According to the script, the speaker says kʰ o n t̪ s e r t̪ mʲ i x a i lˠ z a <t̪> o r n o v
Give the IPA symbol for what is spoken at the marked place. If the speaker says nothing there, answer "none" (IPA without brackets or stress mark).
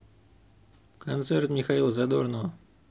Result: d̪